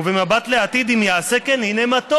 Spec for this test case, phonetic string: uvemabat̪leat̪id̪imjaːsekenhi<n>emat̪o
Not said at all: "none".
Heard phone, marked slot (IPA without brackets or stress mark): n